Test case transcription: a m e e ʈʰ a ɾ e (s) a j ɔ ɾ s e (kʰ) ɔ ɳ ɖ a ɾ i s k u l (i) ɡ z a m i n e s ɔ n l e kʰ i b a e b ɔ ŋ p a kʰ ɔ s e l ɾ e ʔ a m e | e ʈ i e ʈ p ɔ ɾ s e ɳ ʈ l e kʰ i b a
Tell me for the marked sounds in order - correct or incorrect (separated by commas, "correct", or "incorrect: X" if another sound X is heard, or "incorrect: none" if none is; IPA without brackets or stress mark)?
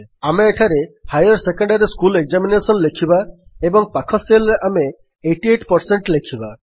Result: incorrect: h, incorrect: k, incorrect: e